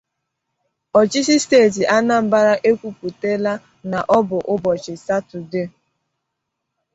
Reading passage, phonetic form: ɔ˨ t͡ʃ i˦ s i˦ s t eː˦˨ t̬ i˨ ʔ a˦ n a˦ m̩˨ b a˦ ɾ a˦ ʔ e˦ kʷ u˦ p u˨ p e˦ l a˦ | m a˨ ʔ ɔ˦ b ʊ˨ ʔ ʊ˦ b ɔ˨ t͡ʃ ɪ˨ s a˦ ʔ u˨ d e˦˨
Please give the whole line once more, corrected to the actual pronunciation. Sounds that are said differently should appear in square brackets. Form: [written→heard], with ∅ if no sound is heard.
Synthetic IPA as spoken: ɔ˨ t͡ʃ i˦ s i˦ s t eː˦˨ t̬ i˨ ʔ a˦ n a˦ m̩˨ b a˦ ɾ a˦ ʔ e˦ kʷ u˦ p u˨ [p→t] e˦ l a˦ | [m→n] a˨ ʔ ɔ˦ b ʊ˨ ʔ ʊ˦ b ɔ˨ t͡ʃ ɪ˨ s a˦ [ʔ→t] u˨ d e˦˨

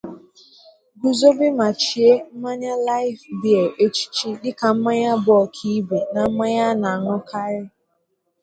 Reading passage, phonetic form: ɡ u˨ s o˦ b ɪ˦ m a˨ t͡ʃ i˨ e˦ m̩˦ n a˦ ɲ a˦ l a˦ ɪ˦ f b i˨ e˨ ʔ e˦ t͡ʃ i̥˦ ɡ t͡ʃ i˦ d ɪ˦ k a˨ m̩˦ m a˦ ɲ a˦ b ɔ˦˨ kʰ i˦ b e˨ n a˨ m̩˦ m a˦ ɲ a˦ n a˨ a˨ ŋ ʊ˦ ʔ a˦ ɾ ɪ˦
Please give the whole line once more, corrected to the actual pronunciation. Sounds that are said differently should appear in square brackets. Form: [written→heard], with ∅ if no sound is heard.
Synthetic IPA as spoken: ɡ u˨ [s→z] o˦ b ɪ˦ m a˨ t͡ʃ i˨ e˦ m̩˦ [n→m] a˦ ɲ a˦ l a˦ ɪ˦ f b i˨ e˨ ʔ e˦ t͡ʃ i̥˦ [ɡ→∅] t͡ʃ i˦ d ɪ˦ k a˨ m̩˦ m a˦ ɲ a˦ b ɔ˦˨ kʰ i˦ b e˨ n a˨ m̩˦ m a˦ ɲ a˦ n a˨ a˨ ŋ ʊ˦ [ʔ→k] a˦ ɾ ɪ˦

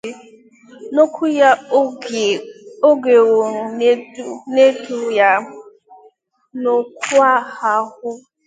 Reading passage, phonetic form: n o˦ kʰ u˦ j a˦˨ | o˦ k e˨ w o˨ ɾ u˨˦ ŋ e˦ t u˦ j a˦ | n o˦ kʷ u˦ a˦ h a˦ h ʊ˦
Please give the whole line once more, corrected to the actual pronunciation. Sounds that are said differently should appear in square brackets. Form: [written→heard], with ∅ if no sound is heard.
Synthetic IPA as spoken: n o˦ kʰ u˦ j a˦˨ | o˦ [k→ɡ] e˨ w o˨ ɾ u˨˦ [ŋ→n] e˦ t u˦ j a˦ | n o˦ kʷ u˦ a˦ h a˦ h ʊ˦

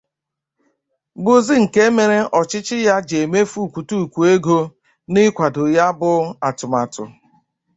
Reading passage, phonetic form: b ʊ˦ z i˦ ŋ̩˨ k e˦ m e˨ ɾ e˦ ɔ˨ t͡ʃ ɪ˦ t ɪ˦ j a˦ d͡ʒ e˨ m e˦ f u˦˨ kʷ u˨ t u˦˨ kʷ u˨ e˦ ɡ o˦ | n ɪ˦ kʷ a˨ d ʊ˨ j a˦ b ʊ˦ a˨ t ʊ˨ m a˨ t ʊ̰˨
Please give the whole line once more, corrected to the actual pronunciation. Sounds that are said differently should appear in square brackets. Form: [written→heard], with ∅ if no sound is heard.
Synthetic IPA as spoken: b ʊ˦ z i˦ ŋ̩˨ k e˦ m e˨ ɾ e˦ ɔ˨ t͡ʃ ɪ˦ [t→t͡ʃ] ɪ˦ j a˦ d͡ʒ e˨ m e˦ f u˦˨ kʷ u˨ t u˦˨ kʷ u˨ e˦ ɡ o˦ | n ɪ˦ kʷ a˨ d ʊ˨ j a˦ b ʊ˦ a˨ t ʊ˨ m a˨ t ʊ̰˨

